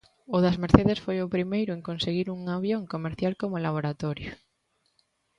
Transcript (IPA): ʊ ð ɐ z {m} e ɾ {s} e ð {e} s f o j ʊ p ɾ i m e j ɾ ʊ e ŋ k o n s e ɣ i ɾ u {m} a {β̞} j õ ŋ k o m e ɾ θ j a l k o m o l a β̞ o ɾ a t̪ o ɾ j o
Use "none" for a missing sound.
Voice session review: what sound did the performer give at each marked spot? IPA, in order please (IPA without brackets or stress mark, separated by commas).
m, θ, e, ŋ, β̞